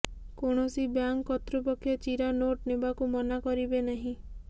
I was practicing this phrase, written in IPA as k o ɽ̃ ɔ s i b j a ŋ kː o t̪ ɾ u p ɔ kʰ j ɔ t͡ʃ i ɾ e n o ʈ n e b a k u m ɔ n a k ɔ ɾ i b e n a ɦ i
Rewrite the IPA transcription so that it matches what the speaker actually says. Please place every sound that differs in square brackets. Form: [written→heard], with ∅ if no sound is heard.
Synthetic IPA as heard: k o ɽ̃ ɔ s i b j a ŋ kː [o→ɔ] t̪ ɾ u p ɔ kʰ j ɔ t͡ʃ i ɾ [e→a] n o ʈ n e b a k u m ɔ n a k ɔ ɾ i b e n a ɦ [i→ĩ]